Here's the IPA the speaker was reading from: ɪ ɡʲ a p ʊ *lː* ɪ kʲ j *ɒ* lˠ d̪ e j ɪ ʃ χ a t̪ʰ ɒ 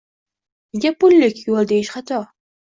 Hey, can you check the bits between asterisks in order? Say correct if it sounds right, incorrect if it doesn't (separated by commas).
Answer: correct, incorrect